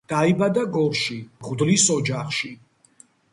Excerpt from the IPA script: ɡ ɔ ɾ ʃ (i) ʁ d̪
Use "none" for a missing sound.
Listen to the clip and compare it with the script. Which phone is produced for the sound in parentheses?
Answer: i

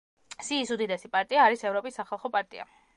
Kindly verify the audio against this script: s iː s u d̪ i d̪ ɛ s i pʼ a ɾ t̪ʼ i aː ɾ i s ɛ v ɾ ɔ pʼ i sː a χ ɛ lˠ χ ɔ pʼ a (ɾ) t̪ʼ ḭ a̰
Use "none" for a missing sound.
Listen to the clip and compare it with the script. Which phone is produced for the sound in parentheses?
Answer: ɾ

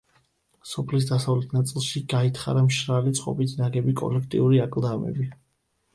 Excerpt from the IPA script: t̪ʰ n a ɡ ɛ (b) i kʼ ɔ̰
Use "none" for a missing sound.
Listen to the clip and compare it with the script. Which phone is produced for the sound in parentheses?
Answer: b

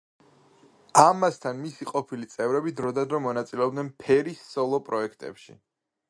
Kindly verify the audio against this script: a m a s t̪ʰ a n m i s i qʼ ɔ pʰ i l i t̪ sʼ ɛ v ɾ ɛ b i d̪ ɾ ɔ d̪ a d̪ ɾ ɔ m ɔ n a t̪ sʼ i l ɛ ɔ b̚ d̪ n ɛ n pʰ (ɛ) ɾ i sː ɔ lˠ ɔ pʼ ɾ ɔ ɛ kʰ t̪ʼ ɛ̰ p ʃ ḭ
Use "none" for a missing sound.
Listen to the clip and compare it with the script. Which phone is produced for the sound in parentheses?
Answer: ɛ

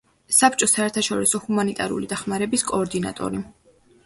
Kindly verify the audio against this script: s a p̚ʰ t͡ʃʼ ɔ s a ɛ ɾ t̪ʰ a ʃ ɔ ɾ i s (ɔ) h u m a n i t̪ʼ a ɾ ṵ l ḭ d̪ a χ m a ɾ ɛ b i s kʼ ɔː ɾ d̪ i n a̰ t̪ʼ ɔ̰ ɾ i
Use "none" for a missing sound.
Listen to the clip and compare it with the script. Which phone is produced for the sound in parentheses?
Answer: ɔ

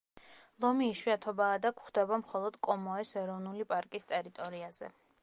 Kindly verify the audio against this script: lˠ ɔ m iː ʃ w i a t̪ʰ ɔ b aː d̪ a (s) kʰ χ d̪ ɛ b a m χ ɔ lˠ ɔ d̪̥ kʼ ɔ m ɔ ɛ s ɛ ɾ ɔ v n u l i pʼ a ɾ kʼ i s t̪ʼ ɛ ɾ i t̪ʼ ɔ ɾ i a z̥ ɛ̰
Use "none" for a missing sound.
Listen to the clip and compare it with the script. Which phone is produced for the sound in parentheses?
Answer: none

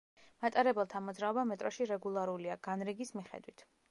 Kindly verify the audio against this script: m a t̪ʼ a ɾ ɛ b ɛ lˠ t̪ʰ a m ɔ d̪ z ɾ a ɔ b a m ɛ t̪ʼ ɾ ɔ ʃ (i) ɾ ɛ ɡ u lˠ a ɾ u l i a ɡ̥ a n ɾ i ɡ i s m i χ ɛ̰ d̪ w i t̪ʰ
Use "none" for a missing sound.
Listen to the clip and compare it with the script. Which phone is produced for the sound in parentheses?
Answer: i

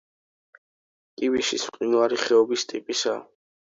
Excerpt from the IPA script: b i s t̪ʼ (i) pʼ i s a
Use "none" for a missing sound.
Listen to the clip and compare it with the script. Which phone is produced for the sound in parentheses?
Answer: i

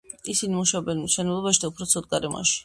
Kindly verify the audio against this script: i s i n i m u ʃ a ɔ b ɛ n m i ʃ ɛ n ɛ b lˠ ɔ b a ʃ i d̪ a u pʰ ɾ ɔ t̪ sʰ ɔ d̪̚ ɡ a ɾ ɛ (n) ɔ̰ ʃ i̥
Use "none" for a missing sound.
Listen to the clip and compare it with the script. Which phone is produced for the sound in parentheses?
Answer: m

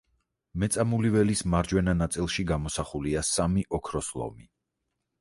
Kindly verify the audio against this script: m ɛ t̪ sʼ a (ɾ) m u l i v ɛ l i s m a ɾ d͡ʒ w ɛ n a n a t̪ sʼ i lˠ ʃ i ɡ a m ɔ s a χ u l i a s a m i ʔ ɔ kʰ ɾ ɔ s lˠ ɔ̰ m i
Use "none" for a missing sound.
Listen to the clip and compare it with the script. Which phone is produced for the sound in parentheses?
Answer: none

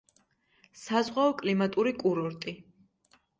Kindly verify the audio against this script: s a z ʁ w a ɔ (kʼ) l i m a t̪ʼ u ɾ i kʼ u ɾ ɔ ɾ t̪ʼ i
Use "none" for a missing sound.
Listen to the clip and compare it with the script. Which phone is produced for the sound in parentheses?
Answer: kʼ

